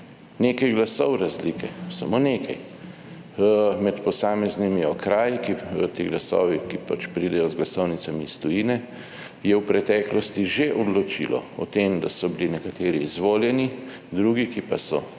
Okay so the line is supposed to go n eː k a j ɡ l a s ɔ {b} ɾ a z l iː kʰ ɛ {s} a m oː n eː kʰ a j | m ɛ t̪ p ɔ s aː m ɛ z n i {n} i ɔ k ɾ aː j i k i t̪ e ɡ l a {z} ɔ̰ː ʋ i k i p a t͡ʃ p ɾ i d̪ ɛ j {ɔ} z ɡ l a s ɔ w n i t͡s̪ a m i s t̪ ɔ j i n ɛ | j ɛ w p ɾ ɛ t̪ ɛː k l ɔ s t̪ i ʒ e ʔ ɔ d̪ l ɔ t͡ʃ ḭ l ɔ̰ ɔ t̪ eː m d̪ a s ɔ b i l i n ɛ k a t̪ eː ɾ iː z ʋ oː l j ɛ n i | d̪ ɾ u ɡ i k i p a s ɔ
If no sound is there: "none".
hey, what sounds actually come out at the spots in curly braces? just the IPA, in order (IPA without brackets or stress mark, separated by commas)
w, s, m, s, ɔ